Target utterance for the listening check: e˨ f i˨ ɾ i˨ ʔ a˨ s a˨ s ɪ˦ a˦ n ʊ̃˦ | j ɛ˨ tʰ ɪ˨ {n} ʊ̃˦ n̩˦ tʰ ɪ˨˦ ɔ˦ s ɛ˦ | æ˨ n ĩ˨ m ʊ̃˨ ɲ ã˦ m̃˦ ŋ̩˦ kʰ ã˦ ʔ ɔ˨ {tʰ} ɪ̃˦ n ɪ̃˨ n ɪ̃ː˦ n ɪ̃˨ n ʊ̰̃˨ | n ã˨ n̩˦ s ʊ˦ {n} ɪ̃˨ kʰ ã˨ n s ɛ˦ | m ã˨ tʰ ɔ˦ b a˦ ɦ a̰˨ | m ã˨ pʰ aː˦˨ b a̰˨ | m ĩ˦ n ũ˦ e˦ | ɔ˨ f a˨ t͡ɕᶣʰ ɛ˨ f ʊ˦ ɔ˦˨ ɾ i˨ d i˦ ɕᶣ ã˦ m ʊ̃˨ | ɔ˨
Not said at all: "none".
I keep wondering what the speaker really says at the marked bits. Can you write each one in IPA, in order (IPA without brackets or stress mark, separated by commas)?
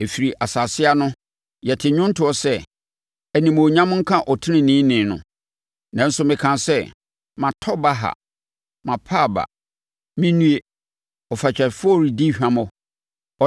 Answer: ɲ, tʰ, m